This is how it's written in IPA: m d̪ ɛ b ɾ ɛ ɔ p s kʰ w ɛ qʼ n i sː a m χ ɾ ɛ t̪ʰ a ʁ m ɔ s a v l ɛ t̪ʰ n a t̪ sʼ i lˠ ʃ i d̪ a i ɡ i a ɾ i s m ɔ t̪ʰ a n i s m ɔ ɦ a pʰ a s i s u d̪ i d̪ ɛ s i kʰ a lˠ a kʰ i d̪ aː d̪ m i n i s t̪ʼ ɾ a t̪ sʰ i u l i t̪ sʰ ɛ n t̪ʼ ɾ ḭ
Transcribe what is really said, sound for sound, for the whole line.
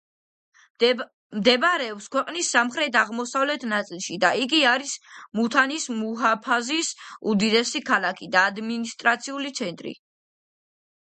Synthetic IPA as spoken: m d̪ ɛ b ɾ ɛ ɔ p s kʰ w ɛ qʼ n i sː a m χ ɾ ɛ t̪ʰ a ʁ m ɔ s a v l ɛ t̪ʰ n a t̪ sʼ i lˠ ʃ i d̪ a i ɡ i a ɾ i s m u t̪ʰ a n i s m u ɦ a pʰ a z i s u d̪ i d̪ ɛ s i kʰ a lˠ a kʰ i d̪ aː d̪ m i n i s t̪ʼ ɾ a t̪ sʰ i u l i t̪ sʰ ɛ n t̪ʼ ɾ ḭ